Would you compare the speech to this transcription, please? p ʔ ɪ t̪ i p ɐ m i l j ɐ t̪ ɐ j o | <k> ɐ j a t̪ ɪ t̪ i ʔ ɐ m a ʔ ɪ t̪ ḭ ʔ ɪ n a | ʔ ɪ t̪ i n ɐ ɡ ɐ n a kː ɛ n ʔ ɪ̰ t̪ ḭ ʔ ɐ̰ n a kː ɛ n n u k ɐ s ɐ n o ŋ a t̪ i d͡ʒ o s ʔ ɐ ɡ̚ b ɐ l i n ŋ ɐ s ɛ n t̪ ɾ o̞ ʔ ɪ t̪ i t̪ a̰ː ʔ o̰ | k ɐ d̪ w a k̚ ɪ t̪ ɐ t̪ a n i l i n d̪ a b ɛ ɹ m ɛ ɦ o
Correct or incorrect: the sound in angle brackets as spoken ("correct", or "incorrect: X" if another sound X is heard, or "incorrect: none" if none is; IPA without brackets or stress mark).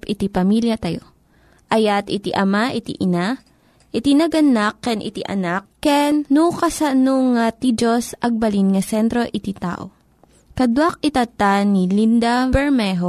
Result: incorrect: ʔ